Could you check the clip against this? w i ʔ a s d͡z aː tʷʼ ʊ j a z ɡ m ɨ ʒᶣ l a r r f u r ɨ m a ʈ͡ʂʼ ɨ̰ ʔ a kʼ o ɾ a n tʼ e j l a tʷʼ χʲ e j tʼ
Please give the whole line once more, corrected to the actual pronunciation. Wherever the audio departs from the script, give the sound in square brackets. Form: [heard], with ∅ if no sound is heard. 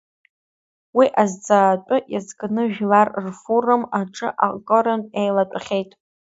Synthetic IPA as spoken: w i ʔ a [z] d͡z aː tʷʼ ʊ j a z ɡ [n] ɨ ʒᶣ l a r r f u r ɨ m a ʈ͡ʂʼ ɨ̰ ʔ a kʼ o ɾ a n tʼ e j l a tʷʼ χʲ e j tʼ